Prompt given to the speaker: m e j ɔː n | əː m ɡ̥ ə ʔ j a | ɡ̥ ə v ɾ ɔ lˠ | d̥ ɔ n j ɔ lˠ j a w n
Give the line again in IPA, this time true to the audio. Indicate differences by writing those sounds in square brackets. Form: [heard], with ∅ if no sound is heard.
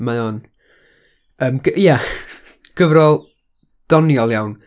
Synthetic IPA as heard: m [a] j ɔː n | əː m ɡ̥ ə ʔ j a | ɡ̥ ə v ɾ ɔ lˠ | d̥ ɔ n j ɔ lˠ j a w n